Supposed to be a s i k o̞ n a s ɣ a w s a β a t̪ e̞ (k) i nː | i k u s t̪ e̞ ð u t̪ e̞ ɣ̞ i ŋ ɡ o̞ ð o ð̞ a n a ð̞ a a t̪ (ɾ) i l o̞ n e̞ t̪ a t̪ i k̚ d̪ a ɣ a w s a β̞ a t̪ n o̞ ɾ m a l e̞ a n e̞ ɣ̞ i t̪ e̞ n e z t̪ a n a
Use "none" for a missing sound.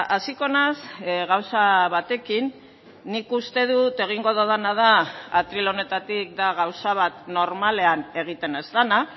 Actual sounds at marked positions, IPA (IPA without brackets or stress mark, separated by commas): k, ɾ